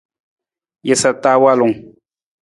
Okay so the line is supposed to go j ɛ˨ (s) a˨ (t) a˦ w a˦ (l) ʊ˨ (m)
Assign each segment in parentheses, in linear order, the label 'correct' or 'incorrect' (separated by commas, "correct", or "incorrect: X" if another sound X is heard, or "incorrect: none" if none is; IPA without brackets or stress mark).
correct, correct, correct, incorrect: ŋ